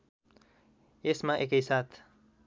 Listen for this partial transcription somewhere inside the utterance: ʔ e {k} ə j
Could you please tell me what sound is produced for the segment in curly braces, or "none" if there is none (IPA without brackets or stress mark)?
k